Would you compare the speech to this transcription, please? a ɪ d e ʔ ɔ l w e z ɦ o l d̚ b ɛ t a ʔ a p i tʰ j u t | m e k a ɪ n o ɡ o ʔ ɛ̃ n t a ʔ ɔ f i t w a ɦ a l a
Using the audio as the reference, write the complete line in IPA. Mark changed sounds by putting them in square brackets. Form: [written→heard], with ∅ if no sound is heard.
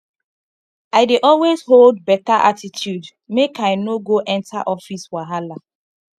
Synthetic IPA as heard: a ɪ d e ʔ ɔ l w e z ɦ o l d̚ b ɛ t a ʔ a [p→t] i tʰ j u [t→d] | m e k a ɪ n o ɡ o ʔ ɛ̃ n t a ʔ ɔ f i [t→s] w a ɦ a l a